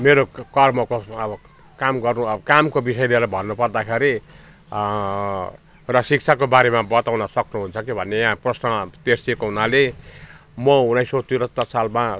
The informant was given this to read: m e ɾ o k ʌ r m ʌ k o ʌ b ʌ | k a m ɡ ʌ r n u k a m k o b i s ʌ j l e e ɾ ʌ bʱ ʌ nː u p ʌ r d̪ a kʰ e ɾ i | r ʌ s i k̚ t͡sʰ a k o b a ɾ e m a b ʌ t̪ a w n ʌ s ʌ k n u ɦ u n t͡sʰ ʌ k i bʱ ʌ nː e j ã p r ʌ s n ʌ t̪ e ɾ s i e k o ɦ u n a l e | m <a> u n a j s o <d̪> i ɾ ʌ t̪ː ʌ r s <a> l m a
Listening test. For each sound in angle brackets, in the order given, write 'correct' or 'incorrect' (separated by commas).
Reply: incorrect, incorrect, correct